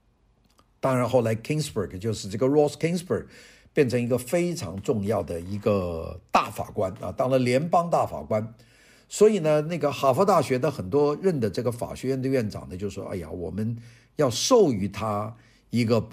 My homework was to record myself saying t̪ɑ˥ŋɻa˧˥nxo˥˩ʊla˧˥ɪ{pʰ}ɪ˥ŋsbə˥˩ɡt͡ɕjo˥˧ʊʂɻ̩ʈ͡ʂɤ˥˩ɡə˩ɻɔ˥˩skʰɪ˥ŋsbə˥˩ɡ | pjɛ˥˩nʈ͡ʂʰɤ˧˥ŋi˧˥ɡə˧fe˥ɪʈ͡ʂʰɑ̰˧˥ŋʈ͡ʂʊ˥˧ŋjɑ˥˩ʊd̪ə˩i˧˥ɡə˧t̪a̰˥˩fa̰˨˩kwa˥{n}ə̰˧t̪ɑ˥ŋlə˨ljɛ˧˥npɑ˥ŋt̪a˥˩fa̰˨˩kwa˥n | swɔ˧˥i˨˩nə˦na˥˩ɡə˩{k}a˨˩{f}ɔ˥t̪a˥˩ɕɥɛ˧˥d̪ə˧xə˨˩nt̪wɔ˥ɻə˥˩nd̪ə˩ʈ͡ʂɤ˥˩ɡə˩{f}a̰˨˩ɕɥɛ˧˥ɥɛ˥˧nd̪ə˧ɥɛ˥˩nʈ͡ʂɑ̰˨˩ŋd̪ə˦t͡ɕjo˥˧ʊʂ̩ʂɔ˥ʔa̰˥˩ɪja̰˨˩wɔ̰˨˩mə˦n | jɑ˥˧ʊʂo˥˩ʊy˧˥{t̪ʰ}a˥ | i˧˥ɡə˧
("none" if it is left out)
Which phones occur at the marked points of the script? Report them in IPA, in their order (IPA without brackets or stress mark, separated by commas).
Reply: kʰ, n, x, f, f, t̪ʰ